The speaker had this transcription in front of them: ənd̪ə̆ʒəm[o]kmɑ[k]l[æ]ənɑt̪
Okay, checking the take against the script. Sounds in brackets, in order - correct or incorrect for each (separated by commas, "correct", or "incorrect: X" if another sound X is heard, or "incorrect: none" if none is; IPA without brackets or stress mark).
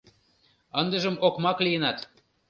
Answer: correct, correct, incorrect: i